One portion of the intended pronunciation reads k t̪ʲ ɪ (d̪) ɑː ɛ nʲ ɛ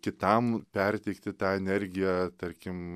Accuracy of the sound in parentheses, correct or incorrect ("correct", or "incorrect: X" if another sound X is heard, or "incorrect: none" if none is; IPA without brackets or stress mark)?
incorrect: t̪